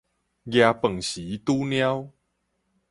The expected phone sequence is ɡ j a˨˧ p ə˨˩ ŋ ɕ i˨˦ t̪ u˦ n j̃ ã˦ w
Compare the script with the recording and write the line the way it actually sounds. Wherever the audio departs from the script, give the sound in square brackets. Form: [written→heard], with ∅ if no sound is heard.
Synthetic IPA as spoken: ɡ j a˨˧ p ə˨˩ ŋ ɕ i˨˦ t̪ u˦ n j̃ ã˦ w